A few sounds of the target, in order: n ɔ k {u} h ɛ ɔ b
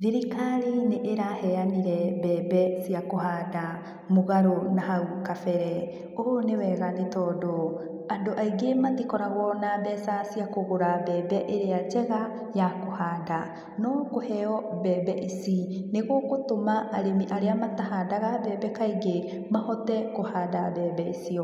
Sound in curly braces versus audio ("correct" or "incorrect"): incorrect